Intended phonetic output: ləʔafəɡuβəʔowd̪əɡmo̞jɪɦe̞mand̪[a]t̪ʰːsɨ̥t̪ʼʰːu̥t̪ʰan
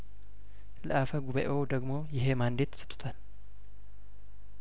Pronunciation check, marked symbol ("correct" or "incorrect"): incorrect